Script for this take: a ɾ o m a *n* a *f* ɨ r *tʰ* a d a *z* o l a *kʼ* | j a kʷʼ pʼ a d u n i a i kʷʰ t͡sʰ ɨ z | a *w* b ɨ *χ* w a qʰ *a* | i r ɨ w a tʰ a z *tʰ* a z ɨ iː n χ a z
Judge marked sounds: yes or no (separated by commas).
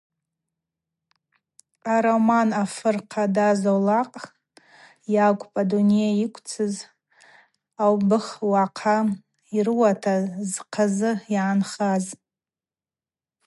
yes, yes, no, yes, no, yes, yes, yes, no